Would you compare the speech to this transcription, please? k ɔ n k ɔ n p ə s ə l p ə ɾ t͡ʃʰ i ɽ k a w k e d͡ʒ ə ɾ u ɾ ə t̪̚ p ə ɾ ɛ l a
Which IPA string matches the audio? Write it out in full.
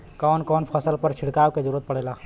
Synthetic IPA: k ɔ n k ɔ n pʰ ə s ə l p ə ɾ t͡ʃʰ i ɽ k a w k e d͡ʒ ə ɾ u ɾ ə t̪̚ p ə ɽ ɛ l a